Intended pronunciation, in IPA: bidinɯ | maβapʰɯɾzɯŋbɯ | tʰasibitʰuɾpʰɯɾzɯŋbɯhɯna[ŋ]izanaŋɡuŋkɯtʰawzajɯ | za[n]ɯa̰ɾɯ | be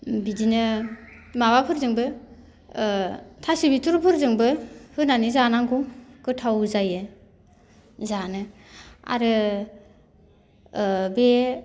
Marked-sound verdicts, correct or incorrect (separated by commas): incorrect, correct